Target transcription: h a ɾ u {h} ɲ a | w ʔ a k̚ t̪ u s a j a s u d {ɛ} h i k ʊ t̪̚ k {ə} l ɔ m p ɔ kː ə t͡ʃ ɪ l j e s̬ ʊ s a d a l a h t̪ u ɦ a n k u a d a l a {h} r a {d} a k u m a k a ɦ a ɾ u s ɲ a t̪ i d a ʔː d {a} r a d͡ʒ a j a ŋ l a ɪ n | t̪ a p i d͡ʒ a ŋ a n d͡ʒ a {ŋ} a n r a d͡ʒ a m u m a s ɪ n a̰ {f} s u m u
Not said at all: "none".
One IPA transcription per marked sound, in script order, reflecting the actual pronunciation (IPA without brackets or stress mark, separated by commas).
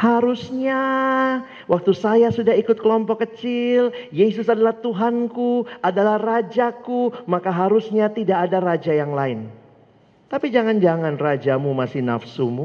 s, a, ə, h, d͡ʒ, a, ŋ, f